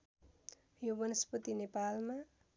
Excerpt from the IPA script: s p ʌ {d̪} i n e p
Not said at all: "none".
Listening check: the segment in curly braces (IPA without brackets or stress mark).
t̪